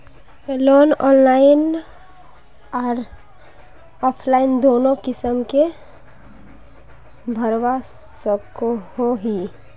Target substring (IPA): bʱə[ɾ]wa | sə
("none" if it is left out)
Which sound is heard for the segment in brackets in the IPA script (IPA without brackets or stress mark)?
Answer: ɾ